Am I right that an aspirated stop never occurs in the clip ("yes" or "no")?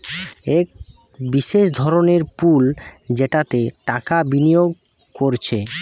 no